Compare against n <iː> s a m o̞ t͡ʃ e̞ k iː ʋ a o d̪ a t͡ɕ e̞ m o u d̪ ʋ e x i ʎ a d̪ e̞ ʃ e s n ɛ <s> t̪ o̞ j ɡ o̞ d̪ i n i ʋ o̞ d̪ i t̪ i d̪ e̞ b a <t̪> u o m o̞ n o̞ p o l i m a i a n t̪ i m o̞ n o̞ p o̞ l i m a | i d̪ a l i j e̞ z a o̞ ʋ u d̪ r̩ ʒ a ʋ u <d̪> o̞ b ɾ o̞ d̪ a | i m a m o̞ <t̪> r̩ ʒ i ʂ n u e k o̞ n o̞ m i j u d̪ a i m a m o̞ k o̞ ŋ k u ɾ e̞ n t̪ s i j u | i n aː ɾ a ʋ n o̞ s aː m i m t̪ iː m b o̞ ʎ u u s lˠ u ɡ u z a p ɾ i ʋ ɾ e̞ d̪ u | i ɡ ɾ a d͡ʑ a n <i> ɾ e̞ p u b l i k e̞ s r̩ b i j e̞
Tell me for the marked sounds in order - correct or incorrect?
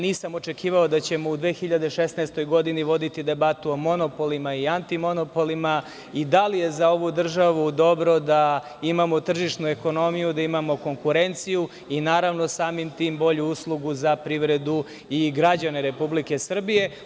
correct, correct, correct, correct, correct, incorrect: e

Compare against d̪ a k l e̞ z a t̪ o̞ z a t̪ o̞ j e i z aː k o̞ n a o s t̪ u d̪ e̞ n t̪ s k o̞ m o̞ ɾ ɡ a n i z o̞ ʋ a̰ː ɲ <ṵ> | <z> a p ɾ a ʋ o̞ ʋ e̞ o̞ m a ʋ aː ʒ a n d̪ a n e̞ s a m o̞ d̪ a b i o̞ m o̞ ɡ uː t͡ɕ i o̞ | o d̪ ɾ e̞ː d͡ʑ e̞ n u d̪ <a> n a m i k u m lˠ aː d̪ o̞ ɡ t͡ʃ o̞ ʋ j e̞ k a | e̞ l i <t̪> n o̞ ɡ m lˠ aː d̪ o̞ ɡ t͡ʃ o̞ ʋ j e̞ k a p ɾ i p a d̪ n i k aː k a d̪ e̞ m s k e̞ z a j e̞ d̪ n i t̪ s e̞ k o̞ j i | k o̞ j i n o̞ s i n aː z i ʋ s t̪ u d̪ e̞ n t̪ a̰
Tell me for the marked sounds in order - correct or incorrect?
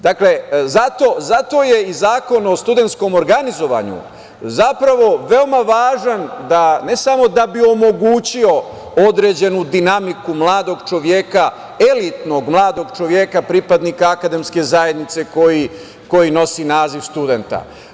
correct, correct, incorrect: i, correct

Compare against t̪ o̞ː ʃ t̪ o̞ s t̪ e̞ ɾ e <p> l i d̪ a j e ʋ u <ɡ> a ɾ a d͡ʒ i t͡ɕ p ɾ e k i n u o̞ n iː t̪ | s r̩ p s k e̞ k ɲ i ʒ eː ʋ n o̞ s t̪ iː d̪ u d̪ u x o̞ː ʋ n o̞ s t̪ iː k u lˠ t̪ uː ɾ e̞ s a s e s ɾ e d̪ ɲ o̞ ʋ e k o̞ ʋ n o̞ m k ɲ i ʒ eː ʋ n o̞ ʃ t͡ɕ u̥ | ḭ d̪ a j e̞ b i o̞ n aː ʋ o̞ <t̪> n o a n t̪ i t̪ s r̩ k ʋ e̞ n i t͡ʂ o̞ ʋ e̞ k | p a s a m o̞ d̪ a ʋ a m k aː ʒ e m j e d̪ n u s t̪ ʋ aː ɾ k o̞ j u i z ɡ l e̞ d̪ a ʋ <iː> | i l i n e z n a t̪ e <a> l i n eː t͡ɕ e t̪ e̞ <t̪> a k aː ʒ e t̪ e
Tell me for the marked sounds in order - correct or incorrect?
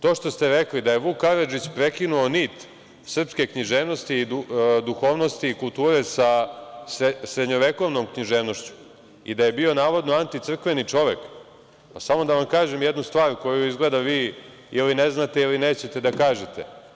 incorrect: k, incorrect: k, incorrect: d̪, correct, incorrect: i, incorrect: d̪

